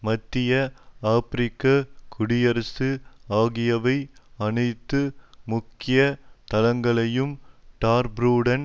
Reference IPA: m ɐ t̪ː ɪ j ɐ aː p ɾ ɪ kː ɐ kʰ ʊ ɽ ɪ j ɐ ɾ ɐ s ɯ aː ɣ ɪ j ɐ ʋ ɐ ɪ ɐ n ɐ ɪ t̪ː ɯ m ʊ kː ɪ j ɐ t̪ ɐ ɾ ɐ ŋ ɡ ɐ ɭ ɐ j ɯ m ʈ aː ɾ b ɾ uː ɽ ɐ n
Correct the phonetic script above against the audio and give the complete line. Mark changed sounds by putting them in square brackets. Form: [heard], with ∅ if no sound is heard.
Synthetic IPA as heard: m ɐ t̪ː ɪ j ɐ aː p ɾ ɪ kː ɐ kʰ ʊ ɽ ɪ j ɐ ɾ ɐ s ɯ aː ɣ ɪ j ɐ ʋ ɐ ɪ ɐ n ɐ ɪ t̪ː ɯ m ʊ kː ɪ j ɐ t̪ ɐ [l] ɐ ŋ ɡ ɐ ɭ ɐ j ɯ m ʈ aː ɾ b ɾ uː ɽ ɐ n